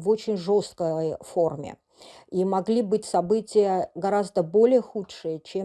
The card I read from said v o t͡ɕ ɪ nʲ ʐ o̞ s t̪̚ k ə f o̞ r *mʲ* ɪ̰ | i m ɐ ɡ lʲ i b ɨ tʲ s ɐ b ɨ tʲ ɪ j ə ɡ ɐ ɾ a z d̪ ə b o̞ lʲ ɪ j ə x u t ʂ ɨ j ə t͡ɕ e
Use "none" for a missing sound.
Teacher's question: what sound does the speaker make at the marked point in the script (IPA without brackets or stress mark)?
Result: mʲ